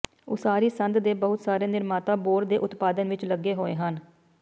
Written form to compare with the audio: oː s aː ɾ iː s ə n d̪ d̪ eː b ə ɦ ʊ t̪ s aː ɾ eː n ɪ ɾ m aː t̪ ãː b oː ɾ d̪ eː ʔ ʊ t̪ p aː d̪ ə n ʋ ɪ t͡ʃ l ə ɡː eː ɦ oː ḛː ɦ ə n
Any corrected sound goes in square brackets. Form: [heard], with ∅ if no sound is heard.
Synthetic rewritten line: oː s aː ɾ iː s ə n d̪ d̪ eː b ə ɦ ʊ t̪ s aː ɾ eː n ɪ ɾ m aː t̪ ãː b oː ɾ d̪ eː ʔ ʊ t̪ p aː d̪ ə n ʋ ɪ t͡ʃ l ə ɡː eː ɦ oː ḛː ɦ ə n